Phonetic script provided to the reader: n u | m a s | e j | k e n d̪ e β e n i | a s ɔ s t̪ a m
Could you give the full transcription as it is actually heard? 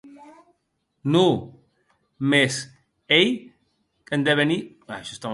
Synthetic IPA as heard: n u | m e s | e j | k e n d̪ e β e n i | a ʃ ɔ s t̪ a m